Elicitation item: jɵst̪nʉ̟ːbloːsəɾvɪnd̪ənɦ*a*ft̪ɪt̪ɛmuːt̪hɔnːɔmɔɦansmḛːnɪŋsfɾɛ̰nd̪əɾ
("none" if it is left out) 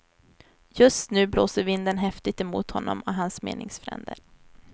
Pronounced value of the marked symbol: ɛ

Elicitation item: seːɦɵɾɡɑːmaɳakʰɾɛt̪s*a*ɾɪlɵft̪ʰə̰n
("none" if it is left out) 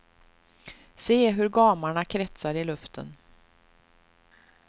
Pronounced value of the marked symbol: a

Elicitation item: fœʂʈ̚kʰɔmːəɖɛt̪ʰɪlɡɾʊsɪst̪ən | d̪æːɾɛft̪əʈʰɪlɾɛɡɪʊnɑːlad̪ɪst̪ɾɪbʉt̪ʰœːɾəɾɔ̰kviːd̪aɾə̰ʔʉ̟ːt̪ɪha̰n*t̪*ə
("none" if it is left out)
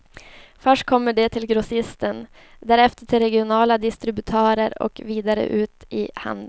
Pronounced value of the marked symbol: d̪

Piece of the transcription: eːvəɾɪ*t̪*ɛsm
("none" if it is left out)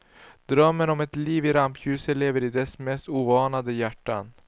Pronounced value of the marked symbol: d̪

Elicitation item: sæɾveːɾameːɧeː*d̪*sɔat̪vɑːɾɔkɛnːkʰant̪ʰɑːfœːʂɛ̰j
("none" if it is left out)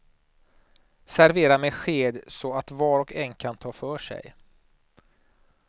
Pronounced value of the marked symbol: d̪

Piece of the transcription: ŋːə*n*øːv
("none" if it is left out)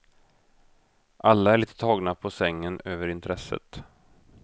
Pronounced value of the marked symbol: n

